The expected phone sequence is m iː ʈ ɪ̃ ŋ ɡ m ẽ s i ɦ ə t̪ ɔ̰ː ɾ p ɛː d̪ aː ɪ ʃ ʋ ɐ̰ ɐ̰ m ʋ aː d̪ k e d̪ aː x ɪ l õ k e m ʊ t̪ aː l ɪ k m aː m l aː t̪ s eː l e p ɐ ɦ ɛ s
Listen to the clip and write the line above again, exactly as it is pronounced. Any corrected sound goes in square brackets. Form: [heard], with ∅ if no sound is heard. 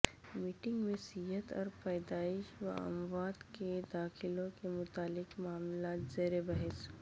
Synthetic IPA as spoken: m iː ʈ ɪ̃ ŋ ɡ m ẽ s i ɦ ə t̪ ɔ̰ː ɾ p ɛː d̪ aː ɪ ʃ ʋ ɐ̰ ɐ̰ m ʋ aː d̪ k e d̪ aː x ɪ l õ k e m ʊ t̪ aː l ɪ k m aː m l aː t̪ [z] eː [ɾ] e [b] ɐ ɦ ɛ s